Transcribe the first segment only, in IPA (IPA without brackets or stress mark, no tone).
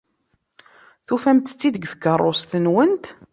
θ